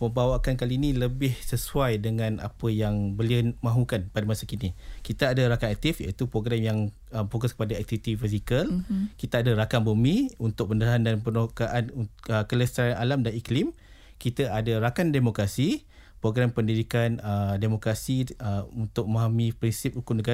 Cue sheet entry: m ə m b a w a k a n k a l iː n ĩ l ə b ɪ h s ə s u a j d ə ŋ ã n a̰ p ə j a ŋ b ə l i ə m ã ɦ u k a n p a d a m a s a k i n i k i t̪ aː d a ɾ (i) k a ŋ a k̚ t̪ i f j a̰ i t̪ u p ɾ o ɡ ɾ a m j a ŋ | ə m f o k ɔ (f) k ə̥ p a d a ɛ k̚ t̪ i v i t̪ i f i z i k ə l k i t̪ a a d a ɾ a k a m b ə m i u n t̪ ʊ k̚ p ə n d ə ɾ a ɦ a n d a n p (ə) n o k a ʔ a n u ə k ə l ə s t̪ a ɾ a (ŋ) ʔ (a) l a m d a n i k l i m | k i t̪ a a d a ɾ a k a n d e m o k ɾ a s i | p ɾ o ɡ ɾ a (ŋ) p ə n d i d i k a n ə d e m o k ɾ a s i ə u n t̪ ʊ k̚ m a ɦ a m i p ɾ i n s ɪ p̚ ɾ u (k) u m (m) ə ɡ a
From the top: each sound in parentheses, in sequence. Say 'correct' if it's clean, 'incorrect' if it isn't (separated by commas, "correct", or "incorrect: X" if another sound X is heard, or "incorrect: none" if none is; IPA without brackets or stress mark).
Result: incorrect: a, incorrect: s, correct, incorrect: n, correct, incorrect: m, correct, incorrect: n